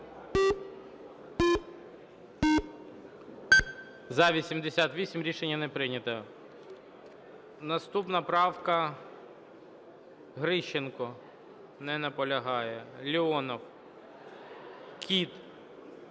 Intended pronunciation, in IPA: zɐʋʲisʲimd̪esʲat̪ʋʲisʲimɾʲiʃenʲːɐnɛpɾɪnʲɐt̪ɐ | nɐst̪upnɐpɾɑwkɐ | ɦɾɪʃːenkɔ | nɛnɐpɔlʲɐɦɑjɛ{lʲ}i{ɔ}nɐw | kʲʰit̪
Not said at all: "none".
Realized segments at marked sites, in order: lʲ, ɔ

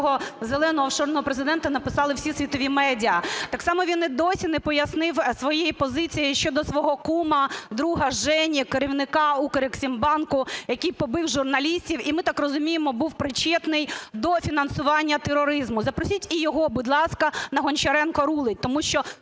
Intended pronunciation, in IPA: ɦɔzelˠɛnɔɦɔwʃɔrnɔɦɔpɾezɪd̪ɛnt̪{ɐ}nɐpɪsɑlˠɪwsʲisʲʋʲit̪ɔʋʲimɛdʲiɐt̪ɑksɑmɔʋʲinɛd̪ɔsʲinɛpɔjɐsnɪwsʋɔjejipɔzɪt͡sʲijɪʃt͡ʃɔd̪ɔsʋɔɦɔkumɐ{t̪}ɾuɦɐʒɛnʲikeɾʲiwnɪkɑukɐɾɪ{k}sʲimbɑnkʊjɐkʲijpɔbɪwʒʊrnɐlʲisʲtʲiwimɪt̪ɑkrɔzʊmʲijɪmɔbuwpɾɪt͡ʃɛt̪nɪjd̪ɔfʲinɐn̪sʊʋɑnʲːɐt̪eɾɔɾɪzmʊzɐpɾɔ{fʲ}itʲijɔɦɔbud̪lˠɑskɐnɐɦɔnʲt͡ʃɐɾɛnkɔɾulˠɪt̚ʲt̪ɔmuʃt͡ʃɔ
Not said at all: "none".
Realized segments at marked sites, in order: ɐ, d̪, k, sʲ

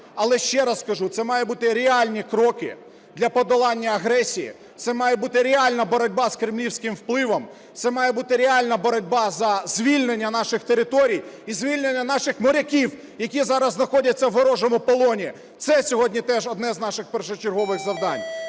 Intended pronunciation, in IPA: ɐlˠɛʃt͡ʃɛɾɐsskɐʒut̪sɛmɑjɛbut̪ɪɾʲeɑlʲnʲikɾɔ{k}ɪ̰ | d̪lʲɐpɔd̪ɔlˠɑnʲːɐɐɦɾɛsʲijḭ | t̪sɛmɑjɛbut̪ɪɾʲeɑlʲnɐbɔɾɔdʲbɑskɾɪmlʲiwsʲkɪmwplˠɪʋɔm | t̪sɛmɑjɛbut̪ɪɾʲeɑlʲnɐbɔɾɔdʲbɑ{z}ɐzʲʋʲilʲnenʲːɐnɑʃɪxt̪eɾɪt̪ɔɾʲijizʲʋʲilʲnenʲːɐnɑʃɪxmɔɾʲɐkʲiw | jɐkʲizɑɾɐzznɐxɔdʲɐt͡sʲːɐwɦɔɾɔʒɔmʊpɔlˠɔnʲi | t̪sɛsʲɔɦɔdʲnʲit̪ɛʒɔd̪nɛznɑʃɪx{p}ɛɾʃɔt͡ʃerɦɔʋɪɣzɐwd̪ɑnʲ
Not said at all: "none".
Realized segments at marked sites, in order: k, z, p

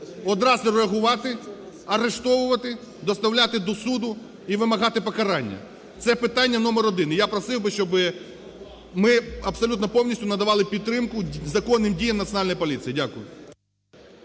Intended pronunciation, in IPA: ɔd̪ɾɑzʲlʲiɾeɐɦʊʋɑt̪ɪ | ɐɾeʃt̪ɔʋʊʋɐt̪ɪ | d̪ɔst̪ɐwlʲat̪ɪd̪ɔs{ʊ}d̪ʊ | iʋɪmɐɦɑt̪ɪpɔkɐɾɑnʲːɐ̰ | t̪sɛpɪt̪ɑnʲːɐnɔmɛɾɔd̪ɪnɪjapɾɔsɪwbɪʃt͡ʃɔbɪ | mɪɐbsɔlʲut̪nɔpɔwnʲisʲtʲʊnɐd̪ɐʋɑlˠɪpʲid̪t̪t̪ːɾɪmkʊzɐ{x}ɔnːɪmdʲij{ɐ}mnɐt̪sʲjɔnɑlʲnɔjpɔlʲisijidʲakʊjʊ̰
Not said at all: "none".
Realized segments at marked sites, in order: u, k, ɐ

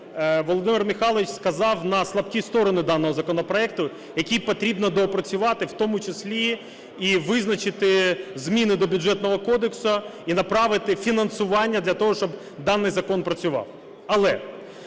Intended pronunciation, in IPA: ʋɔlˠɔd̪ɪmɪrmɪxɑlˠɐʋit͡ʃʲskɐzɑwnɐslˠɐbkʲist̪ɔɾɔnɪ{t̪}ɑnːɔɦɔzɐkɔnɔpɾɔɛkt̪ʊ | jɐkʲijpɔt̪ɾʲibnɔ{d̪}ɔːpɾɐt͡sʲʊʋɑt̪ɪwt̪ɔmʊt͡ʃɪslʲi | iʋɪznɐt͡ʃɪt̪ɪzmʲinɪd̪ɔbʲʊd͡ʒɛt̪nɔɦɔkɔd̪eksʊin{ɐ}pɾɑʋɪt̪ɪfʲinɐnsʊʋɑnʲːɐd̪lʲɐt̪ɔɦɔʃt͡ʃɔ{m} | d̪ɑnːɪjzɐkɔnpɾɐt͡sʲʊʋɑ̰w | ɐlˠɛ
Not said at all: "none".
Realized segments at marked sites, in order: d̪, d̪, ɐ, b

